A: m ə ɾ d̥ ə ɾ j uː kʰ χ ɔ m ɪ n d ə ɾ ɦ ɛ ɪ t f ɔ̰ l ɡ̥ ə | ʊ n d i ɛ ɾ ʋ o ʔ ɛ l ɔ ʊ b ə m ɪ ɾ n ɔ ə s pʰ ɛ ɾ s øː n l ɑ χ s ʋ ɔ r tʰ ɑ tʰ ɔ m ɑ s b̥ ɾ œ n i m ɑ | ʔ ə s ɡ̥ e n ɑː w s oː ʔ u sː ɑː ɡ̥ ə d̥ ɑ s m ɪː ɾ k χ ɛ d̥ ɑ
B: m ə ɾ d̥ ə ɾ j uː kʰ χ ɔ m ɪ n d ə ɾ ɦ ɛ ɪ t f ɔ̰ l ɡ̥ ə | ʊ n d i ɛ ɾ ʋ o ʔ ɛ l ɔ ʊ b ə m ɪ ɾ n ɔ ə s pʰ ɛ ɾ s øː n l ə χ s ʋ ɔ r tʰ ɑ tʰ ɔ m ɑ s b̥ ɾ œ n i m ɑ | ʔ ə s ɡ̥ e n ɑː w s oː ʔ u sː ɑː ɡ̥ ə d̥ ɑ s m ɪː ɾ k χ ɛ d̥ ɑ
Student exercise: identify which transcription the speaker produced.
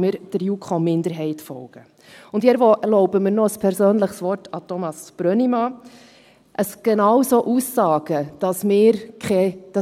B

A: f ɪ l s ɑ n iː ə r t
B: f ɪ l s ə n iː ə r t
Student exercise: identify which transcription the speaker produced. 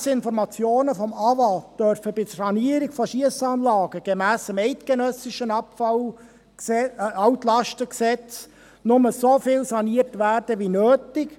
A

